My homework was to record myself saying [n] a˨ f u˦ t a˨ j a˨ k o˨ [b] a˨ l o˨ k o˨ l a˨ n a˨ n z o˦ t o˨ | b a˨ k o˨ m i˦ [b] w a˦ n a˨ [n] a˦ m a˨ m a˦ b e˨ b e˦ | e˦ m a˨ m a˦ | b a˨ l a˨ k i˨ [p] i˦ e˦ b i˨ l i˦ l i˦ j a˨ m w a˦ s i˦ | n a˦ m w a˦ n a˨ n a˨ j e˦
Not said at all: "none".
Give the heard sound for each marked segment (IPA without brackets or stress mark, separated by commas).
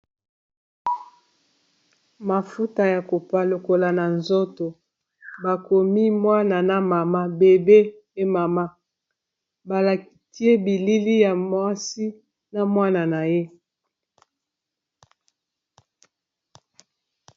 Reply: m, p, m, n, t